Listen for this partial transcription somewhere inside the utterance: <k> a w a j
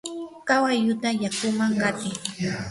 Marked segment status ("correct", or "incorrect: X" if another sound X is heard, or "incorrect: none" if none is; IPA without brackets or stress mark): correct